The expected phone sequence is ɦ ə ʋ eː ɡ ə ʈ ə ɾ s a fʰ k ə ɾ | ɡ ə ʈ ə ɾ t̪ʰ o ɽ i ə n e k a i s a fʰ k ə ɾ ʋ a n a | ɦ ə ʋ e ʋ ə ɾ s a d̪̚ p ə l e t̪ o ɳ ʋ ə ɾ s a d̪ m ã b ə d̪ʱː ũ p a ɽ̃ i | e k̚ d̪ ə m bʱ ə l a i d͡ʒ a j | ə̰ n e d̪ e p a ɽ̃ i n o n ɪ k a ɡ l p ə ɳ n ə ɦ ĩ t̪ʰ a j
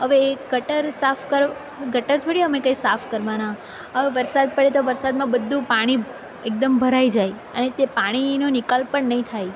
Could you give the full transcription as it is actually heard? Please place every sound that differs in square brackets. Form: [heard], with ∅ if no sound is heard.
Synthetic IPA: ɦ ə ʋ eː ɡ ə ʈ ə ɾ s a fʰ k ə ɾ | ɡ ə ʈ ə ɾ t̪ʰ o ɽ i ə [m] e k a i s a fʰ k ə ɾ ʋ a n a | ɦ ə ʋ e ʋ ə ɾ s a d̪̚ p ə [ɽ] e t̪ o [∅] ʋ ə ɾ s a d̪ m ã b ə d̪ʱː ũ p a ɽ̃ i | e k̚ d̪ ə m bʱ ə [ɾ] a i d͡ʒ a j | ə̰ n e [t̪] e p a ɽ̃ i n o n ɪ k a [∅] l p ə ɳ n ə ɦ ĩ t̪ʰ a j